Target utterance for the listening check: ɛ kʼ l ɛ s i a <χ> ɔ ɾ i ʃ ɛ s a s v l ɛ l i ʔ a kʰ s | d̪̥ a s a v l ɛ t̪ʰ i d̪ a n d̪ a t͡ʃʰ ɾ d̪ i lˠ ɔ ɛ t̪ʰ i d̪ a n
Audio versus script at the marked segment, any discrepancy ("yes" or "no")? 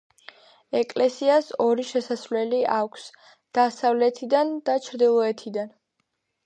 yes